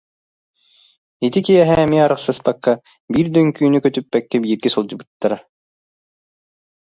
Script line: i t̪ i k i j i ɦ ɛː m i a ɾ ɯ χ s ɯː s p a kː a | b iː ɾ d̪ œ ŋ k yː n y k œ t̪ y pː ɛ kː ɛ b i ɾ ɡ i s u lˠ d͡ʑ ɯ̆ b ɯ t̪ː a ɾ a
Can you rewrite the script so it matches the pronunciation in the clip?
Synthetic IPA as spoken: i t̪ i k i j ɛ ɦ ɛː m i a ɾ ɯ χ s ɯ s p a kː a | b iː ɾ d̪ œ ŋ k yː n y k œ t̪ y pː ɛ kː ɛ b iː ɾ ɡ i s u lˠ d͡ʑ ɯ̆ b ɯ t̪ː a ɾ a